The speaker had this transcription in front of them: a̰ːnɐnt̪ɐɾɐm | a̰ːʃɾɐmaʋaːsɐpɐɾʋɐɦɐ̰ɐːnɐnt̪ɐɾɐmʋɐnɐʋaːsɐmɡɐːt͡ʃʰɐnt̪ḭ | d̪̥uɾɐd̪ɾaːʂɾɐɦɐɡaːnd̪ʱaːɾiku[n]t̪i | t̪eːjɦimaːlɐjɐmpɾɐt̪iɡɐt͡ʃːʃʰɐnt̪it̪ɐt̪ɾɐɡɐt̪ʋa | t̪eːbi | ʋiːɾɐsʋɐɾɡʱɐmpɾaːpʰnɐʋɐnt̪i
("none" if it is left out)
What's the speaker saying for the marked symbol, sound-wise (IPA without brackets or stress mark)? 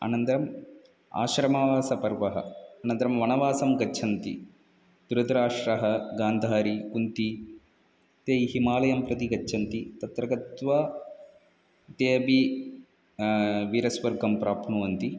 n